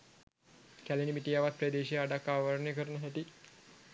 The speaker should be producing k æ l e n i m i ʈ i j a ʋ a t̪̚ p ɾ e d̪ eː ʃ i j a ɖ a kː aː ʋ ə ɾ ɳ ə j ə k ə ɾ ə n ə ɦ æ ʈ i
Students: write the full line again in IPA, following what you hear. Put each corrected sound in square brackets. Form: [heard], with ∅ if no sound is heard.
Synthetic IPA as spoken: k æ l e n i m i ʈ i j a ʋ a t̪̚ p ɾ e d̪ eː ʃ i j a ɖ a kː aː ʋ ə ɾ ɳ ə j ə k ə ɾ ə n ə ɦ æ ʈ i